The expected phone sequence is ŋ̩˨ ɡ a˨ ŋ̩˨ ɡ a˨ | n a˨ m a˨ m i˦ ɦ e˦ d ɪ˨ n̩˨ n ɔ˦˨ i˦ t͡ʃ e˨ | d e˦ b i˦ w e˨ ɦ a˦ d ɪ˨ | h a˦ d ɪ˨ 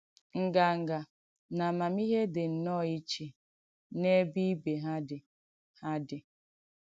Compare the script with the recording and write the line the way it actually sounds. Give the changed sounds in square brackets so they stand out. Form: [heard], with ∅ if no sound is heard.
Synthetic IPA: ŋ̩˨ ɡ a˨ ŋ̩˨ ɡ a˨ | n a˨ m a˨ m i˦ ɦ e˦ d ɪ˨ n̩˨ n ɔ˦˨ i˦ t͡ʃ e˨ | [n] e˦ b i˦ [b] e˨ ɦ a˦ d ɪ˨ | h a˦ d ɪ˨